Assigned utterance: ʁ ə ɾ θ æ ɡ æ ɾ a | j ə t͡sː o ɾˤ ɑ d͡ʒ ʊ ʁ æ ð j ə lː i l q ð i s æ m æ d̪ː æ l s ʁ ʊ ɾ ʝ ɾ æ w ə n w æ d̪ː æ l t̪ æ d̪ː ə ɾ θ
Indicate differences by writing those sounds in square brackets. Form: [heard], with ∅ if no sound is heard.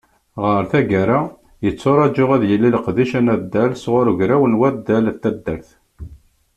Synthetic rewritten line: ʁ ə ɾ θ æ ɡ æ ɾ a | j ə t͡sː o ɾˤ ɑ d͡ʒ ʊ ʁ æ ð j ə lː i l q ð i [ʃ] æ [n] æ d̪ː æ l s ʁ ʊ ɾ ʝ ɾ æ w ə n w æ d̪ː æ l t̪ æ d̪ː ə ɾ θ